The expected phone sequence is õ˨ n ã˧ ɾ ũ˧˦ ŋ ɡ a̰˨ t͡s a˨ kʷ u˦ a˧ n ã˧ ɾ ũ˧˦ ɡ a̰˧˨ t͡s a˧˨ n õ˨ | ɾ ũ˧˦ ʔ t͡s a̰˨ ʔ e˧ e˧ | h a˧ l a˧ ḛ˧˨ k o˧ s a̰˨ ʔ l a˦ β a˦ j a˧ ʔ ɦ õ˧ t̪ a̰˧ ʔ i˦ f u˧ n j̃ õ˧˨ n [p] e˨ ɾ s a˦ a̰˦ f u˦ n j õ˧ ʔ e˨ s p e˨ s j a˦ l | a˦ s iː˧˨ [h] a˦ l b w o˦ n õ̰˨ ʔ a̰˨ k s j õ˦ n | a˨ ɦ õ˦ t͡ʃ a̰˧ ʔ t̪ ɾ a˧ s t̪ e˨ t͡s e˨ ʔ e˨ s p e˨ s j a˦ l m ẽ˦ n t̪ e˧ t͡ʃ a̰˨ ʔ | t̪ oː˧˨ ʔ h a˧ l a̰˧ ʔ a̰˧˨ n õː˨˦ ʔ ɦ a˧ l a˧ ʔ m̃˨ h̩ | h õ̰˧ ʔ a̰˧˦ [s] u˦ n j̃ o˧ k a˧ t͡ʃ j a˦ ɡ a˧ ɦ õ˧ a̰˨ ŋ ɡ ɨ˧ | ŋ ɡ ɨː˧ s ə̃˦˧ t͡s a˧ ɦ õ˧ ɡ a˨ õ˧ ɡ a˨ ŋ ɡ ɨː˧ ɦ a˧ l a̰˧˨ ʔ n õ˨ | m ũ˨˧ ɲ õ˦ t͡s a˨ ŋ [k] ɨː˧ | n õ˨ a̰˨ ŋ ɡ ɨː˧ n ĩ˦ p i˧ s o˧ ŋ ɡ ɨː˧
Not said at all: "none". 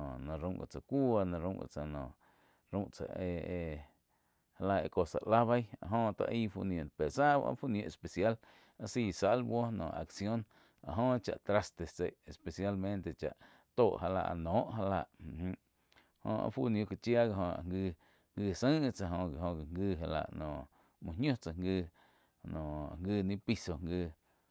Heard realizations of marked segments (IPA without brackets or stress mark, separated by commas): p, s, f, ɡ